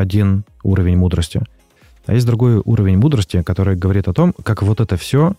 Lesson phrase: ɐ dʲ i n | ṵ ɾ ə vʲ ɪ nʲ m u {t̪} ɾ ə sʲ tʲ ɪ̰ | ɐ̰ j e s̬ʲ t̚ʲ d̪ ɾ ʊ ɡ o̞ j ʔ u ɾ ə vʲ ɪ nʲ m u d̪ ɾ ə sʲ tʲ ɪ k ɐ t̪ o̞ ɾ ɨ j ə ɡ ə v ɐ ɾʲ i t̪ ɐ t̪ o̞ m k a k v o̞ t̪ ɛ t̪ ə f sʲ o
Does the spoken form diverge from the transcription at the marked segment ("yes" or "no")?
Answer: yes